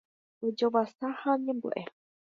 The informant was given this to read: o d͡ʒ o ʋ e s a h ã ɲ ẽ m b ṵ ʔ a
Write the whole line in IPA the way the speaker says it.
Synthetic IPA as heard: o d͡ʒ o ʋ a s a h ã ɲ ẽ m b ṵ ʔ e